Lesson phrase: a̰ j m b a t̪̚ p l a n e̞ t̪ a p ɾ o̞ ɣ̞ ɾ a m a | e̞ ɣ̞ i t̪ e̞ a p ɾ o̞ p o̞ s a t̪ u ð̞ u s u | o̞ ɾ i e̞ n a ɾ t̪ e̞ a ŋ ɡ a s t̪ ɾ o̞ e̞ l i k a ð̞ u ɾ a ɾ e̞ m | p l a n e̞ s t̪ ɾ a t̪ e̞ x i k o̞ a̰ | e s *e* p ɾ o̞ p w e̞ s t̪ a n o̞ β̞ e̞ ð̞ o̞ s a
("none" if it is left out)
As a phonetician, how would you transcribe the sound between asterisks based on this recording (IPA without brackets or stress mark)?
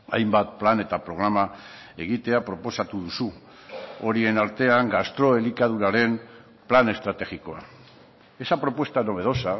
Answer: a